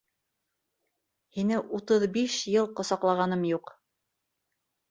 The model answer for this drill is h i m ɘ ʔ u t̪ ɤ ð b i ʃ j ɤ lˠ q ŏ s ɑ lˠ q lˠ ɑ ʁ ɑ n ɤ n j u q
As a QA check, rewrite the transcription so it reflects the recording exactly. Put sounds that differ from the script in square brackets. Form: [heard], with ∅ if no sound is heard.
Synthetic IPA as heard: h i [n] ɘ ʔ u t̪ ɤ ð b i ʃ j ɤ lˠ q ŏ s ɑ [∅] q lˠ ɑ ʁ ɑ n ɤ [m] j u q